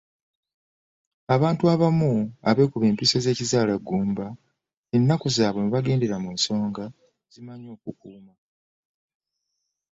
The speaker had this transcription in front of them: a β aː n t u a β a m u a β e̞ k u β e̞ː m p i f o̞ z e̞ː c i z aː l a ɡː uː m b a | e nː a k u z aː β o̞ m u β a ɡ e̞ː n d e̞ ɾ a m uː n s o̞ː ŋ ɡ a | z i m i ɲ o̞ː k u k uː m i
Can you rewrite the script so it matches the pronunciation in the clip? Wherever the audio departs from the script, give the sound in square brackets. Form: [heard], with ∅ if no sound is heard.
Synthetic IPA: a β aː n t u a β a m u a β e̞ k u β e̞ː m p i [s] o̞ z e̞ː c i z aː l a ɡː uː m b a | e nː a k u z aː β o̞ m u β a ɡ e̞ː n d e̞ ɾ a m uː n s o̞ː ŋ ɡ a | z i m [a] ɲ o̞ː k u k uː m [a]